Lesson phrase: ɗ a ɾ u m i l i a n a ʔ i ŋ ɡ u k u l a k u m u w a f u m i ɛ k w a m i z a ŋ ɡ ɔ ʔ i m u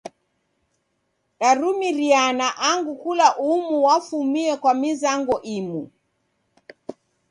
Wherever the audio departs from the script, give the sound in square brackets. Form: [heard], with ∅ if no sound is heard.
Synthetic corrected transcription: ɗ a ɾ u m i [ɾ] i a n a ʔ [a] ŋ ɡ u k u l a [ʔ] u m u w a f u m i ɛ k w a m i z a ŋ ɡ ɔ ʔ i m u